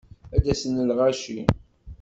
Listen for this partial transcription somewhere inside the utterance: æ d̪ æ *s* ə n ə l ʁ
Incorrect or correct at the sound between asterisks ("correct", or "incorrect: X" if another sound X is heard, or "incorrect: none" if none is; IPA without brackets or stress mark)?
correct